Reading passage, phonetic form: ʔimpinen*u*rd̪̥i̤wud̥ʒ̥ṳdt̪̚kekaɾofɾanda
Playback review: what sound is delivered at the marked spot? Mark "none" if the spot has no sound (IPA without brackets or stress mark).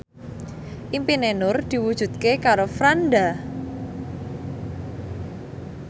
ʊ